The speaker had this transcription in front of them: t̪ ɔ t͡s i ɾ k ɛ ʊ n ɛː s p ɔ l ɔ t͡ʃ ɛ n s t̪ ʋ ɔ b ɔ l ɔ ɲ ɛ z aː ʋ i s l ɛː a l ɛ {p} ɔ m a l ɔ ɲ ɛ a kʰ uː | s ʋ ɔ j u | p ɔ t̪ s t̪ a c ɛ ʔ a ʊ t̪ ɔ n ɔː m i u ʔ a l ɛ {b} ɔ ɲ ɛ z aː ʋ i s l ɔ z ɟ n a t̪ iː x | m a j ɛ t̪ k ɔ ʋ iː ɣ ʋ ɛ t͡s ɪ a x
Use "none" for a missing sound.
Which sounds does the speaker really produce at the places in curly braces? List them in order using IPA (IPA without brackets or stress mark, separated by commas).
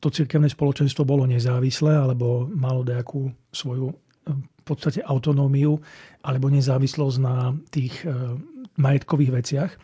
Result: b, b